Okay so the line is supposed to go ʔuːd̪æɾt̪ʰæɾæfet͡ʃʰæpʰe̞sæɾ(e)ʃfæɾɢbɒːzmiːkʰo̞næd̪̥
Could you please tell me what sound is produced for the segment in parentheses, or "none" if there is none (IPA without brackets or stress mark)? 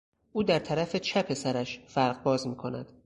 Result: æ